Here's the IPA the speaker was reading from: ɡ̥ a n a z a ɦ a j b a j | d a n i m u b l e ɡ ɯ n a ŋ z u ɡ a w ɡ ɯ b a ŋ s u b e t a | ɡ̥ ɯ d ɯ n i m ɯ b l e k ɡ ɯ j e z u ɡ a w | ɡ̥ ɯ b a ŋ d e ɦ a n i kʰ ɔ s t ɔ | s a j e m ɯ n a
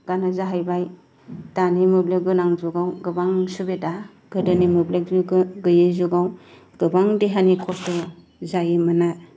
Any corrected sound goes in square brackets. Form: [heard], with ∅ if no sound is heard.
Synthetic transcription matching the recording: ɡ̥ a n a z a ɦ a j b a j | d a n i m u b l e ɡ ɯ n a ŋ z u ɡ a w ɡ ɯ b a ŋ s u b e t a | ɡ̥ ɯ d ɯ n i m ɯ b l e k ɡ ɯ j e z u ɡ a w | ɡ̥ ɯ b a ŋ d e ɦ a n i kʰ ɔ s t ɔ | [z] a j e m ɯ n a